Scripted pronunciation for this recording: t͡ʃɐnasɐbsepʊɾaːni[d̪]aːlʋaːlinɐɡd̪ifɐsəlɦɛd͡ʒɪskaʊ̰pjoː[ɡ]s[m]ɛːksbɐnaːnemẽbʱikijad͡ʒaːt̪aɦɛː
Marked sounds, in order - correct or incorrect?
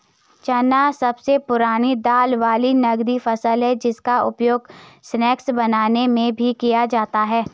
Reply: correct, correct, incorrect: n

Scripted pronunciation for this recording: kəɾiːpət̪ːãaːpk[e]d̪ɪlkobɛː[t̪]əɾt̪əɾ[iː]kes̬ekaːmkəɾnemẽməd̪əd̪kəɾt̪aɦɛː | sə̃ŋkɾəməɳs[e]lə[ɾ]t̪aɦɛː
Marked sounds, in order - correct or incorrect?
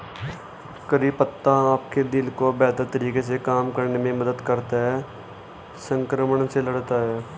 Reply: correct, correct, correct, correct, incorrect: ɽ

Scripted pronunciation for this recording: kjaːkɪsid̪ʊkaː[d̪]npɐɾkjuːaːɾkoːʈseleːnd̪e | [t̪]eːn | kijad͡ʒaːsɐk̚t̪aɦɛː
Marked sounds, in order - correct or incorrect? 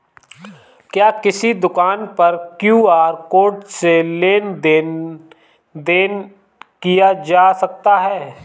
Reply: incorrect: none, incorrect: d̪

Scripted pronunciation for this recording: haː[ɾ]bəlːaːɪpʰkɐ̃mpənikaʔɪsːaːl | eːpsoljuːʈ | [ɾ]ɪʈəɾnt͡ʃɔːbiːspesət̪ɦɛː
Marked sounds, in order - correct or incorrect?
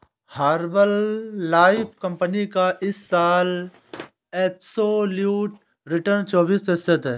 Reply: correct, correct

